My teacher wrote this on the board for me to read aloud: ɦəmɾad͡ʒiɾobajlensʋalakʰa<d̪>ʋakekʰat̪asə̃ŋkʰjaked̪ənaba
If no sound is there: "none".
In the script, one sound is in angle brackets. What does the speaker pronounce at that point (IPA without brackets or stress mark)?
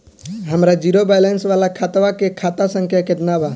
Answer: t̪